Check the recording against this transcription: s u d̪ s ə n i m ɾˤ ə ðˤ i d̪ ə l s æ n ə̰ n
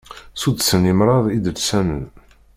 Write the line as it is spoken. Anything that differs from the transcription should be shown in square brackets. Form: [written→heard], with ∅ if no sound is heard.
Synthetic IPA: s u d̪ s ə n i m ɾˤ [ə→ɑ] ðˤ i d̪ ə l s æ n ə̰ n